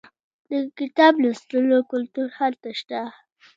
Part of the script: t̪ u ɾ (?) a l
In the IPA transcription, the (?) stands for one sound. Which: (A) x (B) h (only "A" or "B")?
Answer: B